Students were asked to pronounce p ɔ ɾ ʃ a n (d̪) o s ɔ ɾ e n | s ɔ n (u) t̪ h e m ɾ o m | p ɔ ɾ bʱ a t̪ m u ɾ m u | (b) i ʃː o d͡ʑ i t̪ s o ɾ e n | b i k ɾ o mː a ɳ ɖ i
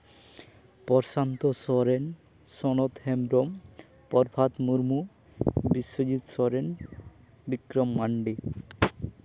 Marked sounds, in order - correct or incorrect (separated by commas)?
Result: incorrect, incorrect, correct